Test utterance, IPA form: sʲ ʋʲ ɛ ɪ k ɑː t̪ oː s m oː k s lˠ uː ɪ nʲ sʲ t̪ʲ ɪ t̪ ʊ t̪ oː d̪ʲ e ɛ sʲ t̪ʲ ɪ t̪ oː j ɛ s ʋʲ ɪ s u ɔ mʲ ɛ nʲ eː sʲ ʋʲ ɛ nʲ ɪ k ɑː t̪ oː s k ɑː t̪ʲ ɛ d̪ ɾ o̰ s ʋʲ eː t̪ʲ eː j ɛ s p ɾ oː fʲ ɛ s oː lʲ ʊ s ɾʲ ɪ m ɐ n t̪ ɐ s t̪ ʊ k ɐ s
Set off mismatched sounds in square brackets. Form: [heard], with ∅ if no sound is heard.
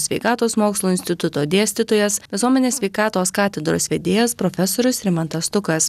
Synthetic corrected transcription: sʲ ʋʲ ɛ ɪ k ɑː t̪ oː s m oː k s lˠ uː ɪ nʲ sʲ t̪ʲ ɪ t̪ ʊ t̪ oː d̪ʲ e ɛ sʲ t̪ʲ ɪ t̪ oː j ɛ s ʋʲ ɪ s u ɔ mʲ ɛ nʲ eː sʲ ʋʲ ɛ [∅] ɪ k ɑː t̪ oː s k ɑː t̪ʲ ɛ d̪ ɾ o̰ s ʋʲ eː [d̪ʲ] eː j ɛ s p ɾ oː fʲ ɛ s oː [ɾʲ] ʊ s ɾʲ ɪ m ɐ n t̪ ɐ s t̪ ʊ k ɐ s